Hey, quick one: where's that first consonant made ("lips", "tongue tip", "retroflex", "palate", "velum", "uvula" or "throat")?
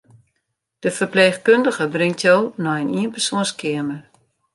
tongue tip